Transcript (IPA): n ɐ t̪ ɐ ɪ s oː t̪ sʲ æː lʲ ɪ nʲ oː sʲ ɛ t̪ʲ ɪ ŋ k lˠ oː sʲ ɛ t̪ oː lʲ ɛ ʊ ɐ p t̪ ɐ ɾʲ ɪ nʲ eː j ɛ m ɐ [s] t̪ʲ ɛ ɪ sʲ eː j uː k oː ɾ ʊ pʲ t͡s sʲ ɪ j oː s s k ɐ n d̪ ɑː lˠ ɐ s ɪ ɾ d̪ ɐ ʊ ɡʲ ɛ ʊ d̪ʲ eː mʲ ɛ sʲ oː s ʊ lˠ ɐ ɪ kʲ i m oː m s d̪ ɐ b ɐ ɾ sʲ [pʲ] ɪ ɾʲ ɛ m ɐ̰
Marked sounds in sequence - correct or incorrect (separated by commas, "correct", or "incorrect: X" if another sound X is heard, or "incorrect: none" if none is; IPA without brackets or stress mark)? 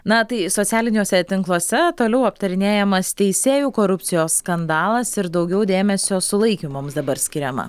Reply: correct, incorrect: kʲ